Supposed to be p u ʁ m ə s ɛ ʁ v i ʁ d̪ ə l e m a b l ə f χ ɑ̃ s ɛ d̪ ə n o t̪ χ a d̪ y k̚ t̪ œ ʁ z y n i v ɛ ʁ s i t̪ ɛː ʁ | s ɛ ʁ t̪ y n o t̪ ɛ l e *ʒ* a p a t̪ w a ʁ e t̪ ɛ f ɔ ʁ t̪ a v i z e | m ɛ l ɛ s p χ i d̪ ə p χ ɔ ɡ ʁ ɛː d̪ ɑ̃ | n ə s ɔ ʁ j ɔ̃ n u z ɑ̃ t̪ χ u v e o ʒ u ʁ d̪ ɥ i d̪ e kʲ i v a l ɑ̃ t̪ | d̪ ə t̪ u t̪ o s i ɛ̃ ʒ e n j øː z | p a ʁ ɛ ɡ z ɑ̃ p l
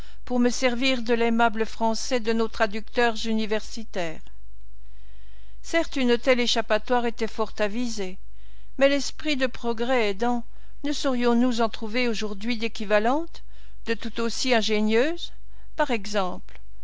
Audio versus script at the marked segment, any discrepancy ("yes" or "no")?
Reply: yes